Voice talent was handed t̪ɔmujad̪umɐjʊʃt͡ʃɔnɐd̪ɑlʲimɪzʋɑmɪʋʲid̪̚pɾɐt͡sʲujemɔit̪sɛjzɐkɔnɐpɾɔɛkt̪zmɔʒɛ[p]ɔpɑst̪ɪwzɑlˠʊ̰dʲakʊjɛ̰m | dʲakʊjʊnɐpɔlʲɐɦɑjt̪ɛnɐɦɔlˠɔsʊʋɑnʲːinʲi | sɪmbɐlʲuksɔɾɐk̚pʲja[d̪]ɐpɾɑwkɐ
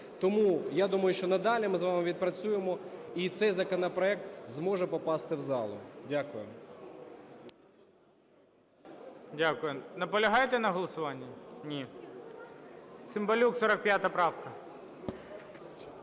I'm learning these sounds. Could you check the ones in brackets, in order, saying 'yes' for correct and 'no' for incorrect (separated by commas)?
yes, no